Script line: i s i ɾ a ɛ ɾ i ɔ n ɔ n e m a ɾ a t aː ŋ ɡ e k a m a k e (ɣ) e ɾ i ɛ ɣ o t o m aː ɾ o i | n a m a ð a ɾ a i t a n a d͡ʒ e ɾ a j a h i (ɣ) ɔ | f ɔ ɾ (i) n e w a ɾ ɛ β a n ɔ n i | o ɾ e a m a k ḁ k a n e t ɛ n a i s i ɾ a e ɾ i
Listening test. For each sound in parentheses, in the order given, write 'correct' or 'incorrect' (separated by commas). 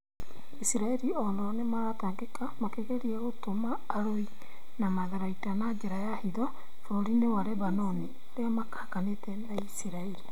correct, incorrect, correct